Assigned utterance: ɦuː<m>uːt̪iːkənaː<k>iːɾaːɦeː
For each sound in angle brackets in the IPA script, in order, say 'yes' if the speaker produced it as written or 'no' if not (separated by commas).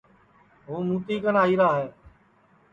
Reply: yes, no